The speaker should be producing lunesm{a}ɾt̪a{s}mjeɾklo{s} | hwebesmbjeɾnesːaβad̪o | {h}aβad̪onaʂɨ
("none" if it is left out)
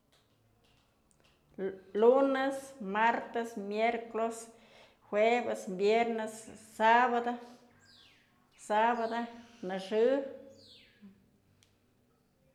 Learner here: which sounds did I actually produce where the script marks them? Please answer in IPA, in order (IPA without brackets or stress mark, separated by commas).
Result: a, s, s, s